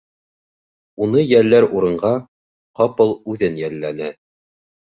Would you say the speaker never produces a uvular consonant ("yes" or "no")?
no